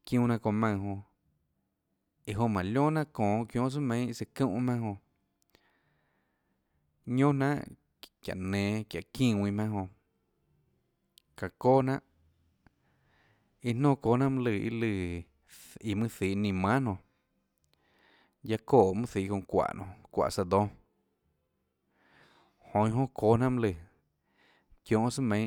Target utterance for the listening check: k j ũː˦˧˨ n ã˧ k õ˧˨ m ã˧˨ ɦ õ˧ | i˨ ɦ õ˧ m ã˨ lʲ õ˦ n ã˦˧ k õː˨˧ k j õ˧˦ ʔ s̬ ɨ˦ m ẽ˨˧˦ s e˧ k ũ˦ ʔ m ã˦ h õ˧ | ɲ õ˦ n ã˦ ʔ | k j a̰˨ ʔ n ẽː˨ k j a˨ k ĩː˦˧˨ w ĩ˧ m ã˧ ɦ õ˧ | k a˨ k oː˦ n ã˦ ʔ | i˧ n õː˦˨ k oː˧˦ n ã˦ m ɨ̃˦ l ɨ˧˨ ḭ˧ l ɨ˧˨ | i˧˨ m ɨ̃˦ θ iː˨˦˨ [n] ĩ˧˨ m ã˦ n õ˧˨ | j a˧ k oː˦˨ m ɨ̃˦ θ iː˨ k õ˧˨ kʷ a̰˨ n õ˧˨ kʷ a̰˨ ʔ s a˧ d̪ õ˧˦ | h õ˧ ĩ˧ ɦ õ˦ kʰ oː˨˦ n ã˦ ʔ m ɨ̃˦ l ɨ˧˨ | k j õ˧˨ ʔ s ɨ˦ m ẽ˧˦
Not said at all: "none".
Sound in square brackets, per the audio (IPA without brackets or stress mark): n